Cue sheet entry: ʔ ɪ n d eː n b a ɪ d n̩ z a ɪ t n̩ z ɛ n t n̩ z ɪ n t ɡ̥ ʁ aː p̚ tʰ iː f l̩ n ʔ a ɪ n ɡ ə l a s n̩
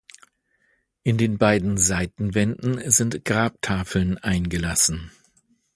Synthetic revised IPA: ʔ ɪ n d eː n b a ɪ d n̩ z a ɪ t n̩ v ɛ n d n̩ z ɪ n t ɡ̥ ʁ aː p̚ tʰ aː f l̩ n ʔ a ɪ n ɡ ə l a s n̩